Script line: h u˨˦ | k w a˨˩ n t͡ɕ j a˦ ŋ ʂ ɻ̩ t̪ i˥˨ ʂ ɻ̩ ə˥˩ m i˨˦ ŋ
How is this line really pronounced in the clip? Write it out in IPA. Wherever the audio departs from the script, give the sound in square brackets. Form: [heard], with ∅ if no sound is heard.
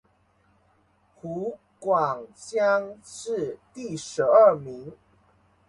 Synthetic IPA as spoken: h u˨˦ | k w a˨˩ [ŋ] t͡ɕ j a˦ ŋ ʂ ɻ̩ t̪ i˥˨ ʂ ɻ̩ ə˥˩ m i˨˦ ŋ